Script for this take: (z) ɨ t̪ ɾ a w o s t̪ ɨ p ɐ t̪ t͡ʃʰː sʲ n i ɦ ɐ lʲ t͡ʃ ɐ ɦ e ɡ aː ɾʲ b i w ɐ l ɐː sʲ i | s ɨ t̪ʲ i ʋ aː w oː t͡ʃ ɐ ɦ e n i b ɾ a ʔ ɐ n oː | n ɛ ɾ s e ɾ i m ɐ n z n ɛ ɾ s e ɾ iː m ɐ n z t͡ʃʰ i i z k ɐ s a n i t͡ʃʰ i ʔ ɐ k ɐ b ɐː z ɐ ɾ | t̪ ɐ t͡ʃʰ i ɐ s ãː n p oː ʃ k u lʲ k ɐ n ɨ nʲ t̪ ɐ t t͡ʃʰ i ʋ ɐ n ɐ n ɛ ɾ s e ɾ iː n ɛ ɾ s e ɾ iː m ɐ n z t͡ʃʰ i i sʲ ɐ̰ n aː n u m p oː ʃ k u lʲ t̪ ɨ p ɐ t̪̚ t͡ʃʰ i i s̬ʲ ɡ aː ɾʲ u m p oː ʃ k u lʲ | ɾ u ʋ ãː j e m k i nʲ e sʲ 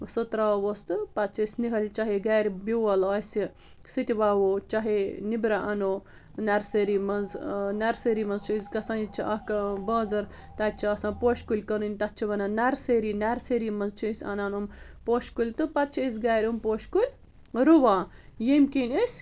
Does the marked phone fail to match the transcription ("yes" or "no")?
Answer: yes